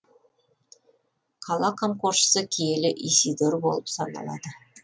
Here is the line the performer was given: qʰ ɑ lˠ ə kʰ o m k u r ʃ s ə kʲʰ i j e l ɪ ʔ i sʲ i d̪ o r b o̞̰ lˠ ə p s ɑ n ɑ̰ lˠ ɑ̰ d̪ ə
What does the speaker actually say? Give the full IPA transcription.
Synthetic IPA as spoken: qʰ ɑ lˠ ɑ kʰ o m k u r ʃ s ə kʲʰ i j e l ɪ ʔ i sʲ i d̪ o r b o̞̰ lˠ ə p s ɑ n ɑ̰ lˠ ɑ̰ d̪ ə

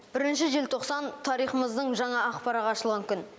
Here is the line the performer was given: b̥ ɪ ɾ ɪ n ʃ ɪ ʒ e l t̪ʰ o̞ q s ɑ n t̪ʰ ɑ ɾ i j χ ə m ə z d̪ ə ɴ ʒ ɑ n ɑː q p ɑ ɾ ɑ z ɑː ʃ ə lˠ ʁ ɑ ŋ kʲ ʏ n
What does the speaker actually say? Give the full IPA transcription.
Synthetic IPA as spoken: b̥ ɪ ɾ ɪ n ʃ ɪ ʒ e l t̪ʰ o̞ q s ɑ n t̪ʰ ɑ ɾ i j χ ə m ə z d̪ ə ɴ ʒ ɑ ɴ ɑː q p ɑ ɾ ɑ ʁ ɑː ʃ ə lˠ ʁ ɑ ŋ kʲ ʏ n

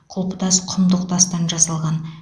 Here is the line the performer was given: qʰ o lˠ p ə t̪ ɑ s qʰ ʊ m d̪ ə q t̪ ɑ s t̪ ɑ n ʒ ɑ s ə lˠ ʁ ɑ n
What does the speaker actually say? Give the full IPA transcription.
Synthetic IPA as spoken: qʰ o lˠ p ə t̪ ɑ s qʰ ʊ m d̪ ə q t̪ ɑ s t̪ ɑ n ʒ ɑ s ɑ lˠ ʁ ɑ n

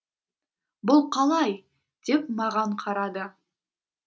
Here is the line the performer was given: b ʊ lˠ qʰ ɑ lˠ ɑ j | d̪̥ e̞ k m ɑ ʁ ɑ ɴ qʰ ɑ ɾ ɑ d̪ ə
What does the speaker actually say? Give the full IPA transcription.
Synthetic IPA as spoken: b ʊ lˠ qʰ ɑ lˠ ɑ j | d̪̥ e̞ p m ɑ ʁ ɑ ɴ qʰ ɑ ɾ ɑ d̪ ə

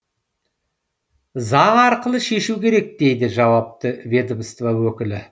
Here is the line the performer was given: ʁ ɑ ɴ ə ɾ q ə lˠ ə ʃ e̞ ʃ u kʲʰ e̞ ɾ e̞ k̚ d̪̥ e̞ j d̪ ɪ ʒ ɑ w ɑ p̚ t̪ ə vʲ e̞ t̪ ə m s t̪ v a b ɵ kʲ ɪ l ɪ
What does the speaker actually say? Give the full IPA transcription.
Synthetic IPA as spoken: z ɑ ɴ ɑ ɾ q ə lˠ ə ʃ e̞ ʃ u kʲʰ e̞ ɾ e̞ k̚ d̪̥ e̞ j d̪ ɪ ʒ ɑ w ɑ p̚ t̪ ə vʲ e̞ d̪ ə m s t̪ v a w ɵ kʲ ɪ l ɪ

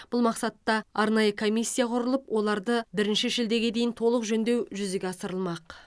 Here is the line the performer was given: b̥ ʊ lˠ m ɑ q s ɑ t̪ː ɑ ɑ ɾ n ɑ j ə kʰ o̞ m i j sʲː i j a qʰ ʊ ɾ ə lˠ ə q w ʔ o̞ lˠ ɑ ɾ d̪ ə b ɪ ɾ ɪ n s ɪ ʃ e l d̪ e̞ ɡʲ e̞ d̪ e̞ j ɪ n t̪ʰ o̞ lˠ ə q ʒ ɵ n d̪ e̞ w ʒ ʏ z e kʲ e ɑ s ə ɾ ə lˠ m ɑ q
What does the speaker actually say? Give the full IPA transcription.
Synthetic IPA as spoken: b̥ ʊ lˠ m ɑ q s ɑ t̪ː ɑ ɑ ɾ n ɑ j ə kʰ o̞ m i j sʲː i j a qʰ ʊ ɾ ə lˠ ə p w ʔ o̞ lˠ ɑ ɾ d̪ ə b ɪ ɾ ɪ n ʃ ɪ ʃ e l d̪ e̞ ɡʲ e̞ d̪ e̞ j ɪ n t̪ʰ o̞ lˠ ə q ʒ ɵ n d̪ e̞ w ʒ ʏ z e ɡʲ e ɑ s ə ɾ ə lˠ m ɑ q

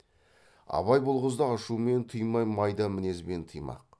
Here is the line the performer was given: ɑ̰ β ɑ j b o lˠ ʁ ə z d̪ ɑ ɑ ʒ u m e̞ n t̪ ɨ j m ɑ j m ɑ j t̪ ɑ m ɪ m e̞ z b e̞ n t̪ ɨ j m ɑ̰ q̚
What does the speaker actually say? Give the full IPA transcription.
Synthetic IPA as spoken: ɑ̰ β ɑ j b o lˠ ʁ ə z d̪ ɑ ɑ ʃ u m e̞ n t̪ʰ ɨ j m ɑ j m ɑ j d̪ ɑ m ɪ n e̞ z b e̞ n t̪ʰ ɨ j m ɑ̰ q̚

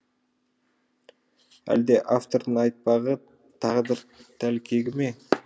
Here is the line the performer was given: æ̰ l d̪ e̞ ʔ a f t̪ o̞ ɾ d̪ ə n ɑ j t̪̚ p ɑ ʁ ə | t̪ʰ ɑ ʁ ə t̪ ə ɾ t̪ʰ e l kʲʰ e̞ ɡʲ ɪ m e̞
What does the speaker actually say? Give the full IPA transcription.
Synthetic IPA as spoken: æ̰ l d̪ e̞ ʔ a f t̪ o̞ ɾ d̪ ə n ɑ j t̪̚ p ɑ ʁ ə | t̪ʰ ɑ ʁ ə d̪ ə ɾ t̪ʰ æ l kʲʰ e̞ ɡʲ ɪ m e̞

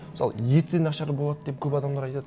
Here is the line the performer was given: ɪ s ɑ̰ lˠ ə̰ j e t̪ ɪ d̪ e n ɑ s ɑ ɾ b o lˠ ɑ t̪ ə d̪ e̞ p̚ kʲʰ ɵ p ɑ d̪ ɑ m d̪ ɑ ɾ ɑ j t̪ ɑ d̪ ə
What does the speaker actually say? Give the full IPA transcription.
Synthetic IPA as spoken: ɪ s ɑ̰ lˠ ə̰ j e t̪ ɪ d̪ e n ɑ ʃ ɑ ɾ b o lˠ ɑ d̪ ə d̪ e̞ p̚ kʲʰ ɵ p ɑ d̪ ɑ m d̪ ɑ ɾ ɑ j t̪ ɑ d̪ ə

